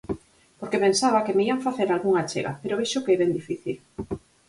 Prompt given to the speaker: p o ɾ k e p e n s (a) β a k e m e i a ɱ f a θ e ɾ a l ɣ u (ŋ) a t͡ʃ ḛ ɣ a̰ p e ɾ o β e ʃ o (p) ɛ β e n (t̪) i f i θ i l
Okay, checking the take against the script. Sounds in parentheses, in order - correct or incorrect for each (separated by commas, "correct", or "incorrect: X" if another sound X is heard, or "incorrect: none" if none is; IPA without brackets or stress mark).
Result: correct, correct, incorrect: k, incorrect: d̪